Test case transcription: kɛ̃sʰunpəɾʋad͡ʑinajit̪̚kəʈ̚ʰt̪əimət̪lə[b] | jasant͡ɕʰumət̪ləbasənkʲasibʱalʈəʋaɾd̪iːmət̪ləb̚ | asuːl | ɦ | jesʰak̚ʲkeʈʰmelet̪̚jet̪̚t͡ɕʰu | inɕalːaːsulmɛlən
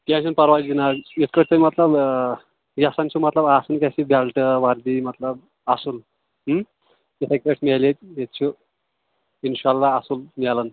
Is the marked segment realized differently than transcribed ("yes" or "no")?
no